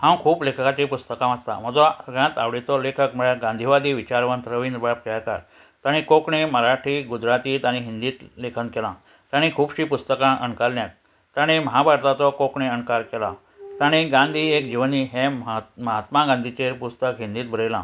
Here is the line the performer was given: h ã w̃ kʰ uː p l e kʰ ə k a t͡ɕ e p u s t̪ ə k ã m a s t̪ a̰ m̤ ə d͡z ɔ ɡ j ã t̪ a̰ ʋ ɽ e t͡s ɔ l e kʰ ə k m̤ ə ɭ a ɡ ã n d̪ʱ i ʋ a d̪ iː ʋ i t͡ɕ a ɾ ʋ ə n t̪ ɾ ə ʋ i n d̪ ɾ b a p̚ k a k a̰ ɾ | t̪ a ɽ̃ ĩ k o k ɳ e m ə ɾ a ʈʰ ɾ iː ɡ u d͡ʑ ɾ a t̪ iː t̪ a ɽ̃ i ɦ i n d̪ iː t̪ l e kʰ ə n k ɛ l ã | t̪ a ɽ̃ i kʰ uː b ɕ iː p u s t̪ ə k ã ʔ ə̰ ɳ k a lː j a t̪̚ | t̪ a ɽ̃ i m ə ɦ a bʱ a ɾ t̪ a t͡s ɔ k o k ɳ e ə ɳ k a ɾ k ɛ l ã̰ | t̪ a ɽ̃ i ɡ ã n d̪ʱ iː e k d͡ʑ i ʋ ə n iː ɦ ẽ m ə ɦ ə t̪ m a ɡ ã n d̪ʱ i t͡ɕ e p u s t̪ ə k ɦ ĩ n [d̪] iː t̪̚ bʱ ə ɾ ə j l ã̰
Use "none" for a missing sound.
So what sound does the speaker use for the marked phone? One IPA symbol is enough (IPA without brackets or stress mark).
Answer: d̪